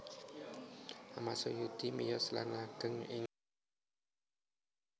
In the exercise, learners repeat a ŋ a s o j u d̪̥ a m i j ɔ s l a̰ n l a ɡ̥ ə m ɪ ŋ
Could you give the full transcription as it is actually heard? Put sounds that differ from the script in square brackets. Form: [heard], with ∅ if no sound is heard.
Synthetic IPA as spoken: a [m] a s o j u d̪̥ [i] m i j ɔ s l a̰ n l a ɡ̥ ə [ŋ] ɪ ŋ